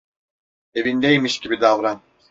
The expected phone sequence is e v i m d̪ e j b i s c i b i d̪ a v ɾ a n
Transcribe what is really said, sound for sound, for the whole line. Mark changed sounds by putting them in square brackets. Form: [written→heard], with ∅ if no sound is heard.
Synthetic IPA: e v i [m→n] d̪ e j [b→m] i [s→ʃ] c i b i d̪ a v ɾ a n